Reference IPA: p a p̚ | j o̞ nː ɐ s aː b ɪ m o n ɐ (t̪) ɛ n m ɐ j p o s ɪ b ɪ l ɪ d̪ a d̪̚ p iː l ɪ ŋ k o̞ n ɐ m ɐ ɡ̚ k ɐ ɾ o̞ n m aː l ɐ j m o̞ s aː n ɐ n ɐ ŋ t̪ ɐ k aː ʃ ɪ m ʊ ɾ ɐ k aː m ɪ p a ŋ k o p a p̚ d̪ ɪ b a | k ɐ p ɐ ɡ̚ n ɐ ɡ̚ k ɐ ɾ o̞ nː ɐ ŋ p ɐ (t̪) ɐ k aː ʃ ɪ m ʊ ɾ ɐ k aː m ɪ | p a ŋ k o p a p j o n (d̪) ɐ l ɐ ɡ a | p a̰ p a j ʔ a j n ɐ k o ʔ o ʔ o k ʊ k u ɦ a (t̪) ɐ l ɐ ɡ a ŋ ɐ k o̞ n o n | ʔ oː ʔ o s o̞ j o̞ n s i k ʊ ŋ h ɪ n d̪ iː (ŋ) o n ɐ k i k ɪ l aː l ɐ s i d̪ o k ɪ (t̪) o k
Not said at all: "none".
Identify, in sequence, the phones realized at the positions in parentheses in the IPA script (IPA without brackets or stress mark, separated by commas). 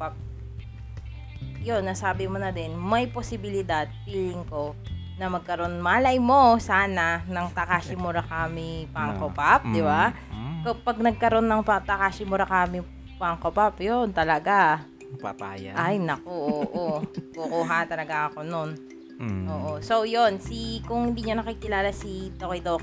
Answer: d̪, t̪, t̪, t̪, ɲ, d̪